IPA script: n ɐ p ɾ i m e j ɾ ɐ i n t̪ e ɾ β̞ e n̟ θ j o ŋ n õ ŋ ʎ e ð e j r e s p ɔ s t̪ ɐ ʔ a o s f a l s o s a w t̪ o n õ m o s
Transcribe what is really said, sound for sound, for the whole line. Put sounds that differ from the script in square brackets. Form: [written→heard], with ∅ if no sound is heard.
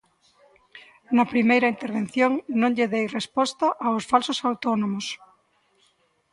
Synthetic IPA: n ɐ p ɾ i m e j ɾ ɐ i n t̪ e ɾ β̞ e n̟ θ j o ŋ n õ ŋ ʎ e ð e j r e s p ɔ s t̪ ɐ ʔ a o s f a l s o s a w t̪ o n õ m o s